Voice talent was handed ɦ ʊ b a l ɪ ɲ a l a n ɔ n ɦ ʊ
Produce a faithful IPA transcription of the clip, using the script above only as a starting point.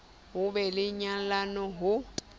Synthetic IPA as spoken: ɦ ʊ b ɛ l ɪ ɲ a l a n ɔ ɦ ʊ